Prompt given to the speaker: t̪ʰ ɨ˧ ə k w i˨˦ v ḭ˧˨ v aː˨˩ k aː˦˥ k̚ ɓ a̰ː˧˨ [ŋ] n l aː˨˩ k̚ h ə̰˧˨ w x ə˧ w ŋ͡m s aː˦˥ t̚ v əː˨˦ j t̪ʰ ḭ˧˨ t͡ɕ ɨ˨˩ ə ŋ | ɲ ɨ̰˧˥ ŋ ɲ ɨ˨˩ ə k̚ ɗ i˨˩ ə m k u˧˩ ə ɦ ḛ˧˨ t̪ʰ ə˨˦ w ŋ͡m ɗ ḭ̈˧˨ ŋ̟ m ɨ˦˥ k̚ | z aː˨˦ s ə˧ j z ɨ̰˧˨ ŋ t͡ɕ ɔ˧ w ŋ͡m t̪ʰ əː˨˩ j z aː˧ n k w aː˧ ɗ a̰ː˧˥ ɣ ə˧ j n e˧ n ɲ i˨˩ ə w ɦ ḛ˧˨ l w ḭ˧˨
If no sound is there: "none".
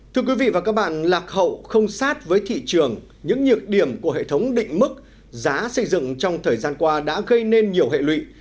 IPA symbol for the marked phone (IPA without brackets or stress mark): none